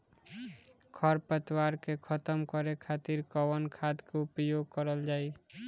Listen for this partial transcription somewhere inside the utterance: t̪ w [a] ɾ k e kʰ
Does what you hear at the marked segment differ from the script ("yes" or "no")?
no